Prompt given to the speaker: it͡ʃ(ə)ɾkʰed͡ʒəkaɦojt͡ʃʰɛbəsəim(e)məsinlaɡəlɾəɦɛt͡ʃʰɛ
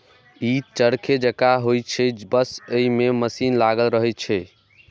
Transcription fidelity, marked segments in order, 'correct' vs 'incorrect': correct, correct

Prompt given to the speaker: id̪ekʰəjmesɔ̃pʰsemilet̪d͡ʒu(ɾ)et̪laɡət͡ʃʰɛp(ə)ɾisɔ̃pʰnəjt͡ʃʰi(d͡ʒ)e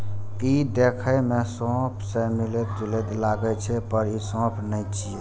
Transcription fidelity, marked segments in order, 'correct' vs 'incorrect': incorrect: l, correct, incorrect: none

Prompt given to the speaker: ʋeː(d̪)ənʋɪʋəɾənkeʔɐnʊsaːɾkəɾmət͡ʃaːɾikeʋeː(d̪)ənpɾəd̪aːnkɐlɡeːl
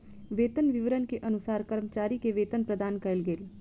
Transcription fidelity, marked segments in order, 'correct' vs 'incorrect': incorrect: t̪, incorrect: t̪

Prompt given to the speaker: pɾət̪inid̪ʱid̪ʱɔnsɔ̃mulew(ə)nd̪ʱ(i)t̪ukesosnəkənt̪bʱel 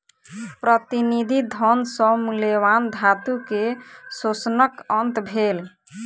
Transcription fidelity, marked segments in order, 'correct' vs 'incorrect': incorrect: a, incorrect: a

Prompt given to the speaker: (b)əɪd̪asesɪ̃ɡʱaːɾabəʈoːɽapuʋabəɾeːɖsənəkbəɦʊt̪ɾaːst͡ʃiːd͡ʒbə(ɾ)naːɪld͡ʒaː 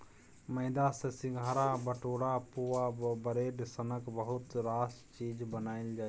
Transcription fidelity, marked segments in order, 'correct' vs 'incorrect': incorrect: m, incorrect: none

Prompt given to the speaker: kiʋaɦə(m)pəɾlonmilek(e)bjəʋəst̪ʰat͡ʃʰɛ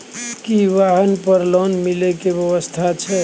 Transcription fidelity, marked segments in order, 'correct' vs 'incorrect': incorrect: n, correct

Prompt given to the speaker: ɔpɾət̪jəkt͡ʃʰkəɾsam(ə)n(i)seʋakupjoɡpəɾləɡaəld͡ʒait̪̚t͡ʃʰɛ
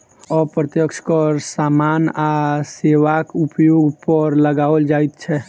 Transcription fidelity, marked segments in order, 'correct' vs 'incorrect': incorrect: a, incorrect: a

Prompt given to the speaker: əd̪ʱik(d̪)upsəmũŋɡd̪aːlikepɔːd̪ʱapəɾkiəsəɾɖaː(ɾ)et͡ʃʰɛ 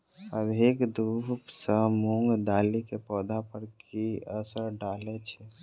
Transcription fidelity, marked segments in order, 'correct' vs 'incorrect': correct, incorrect: l

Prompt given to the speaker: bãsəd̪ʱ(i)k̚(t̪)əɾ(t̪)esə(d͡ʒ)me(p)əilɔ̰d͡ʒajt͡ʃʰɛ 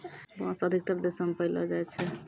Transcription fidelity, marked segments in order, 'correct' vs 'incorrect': correct, correct, incorrect: d̪, incorrect: none, correct

